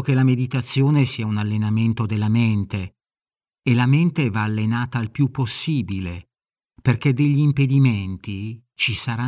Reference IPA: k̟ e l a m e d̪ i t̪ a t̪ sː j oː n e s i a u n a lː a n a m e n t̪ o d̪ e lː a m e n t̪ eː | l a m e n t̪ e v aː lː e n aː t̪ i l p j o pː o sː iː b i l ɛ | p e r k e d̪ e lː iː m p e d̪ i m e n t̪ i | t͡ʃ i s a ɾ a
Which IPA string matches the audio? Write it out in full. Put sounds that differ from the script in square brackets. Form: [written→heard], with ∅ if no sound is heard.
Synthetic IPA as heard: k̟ e l a m e d̪ i t̪ a t̪ sː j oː n e s i a u n a lː [a→e] n a m e n t̪ o d̪ e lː a m e n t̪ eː | l a m e n t̪ e v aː lː e n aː t̪ [i→a] l p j [o→u] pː o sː iː b i l [ɛ→e] | p e r k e d̪ e [lː→ʎː] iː m p e d̪ i m e n t̪ i | t͡ʃ i s a ɾ a